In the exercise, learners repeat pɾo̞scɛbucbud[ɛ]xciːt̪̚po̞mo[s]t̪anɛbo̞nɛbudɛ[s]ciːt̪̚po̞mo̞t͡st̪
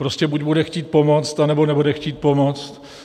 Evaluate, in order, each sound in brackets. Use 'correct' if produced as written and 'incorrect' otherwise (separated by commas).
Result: correct, incorrect, incorrect